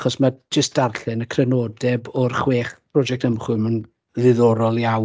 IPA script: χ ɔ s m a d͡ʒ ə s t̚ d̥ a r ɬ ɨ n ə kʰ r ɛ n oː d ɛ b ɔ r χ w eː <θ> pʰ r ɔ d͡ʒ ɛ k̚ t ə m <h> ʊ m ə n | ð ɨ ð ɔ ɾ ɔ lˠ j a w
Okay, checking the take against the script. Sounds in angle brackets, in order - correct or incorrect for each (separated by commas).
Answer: incorrect, incorrect